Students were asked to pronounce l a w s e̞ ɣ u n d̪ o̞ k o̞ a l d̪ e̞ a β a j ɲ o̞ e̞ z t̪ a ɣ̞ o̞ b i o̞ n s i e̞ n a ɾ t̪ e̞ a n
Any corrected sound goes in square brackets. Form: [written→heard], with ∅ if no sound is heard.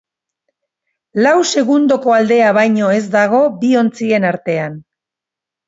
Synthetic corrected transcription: l a w s e̞ ɣ u n d̪ o̞ k o̞ a l d̪ e̞ a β a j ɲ o̞ e̞ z [t̪→d̪] a ɣ̞ o̞ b i o̞ n [s→t͡s] i e̞ n a ɾ t̪ e̞ a n